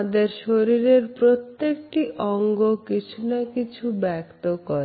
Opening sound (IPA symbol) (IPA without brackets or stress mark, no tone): d̪